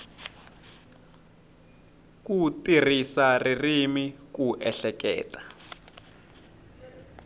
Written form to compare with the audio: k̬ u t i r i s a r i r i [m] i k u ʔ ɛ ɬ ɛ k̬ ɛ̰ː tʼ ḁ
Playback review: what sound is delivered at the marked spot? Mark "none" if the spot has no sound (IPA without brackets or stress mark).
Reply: m